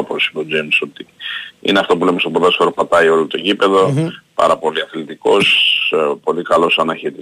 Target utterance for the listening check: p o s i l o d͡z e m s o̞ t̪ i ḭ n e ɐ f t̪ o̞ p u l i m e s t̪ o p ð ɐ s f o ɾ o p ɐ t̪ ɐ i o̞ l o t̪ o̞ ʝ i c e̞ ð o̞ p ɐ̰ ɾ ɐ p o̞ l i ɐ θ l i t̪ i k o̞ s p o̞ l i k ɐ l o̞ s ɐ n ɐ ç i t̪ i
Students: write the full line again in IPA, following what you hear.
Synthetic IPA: p o s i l o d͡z e m s o̞ t̪ i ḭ n e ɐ f t̪ o̞ p u l e m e s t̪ o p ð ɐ s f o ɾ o p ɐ t̪ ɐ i o̞ l o t̪ o̞ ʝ i p e̞ ð o̞ p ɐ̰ ɾ ɐ p o̞ l i ɐ θ l i t̪ i k o̞ s p o̞ l i k ɐ l o̞ s ɐ n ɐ ç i t̪ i